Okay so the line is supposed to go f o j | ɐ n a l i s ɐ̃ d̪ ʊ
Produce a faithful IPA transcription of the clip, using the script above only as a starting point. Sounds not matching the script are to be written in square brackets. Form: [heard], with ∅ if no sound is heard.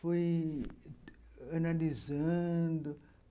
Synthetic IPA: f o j | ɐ n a l i [z] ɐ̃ d̪ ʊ